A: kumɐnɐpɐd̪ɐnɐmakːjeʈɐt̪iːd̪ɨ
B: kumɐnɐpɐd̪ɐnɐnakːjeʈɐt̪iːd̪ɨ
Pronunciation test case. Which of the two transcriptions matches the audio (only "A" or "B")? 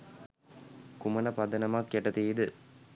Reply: A